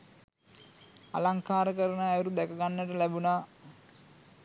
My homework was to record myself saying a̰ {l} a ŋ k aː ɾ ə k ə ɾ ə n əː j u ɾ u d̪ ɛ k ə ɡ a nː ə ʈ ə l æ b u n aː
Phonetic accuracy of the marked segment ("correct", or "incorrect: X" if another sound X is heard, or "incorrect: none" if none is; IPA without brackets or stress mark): correct